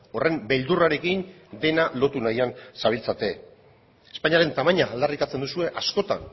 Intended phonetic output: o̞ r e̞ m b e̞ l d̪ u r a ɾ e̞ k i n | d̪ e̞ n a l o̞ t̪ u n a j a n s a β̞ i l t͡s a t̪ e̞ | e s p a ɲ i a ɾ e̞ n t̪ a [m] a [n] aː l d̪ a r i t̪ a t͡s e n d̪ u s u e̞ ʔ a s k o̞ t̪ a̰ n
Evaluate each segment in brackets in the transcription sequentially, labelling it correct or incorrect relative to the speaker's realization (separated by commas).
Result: correct, incorrect